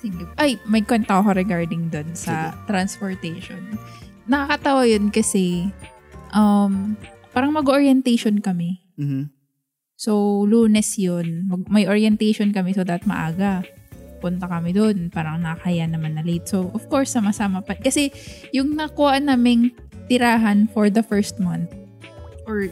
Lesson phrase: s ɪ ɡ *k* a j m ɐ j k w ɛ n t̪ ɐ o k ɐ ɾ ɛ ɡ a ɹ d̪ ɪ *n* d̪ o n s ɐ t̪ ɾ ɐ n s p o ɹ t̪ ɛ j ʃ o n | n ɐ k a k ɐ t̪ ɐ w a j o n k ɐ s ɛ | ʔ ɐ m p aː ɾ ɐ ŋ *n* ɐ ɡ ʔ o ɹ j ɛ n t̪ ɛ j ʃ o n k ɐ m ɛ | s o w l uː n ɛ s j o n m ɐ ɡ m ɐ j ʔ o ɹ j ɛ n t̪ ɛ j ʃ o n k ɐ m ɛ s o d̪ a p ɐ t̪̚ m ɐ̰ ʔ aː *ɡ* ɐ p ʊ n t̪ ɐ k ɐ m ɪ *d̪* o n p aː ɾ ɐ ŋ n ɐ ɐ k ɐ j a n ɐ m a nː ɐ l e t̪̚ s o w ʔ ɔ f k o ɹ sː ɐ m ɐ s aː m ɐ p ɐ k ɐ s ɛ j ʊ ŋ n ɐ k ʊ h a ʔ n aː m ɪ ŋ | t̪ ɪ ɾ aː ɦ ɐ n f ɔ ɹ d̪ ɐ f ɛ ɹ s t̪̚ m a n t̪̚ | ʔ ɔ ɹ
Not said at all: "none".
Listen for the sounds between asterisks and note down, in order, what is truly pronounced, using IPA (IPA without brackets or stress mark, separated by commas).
ʔ, ŋ, m, ɡ, d̪